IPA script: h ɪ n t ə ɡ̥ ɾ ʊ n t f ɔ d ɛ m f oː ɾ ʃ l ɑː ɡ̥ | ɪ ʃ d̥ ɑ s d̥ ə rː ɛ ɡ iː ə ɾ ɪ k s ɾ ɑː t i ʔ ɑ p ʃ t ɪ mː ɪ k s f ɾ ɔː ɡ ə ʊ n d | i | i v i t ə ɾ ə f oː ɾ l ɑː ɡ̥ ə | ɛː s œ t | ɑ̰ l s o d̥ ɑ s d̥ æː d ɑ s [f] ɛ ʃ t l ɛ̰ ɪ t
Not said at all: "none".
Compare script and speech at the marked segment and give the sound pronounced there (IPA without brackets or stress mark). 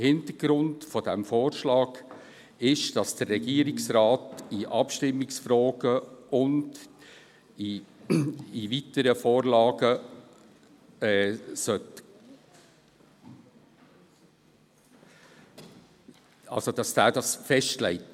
f